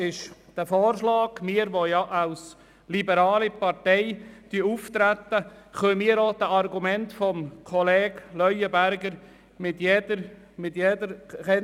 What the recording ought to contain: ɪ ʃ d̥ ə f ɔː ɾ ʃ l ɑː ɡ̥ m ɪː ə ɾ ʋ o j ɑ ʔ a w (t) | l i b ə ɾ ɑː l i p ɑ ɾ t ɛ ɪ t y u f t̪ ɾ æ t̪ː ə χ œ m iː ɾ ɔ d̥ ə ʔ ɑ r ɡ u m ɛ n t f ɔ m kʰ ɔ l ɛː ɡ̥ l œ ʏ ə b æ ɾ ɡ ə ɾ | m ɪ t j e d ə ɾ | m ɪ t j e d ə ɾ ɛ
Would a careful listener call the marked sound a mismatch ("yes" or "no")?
yes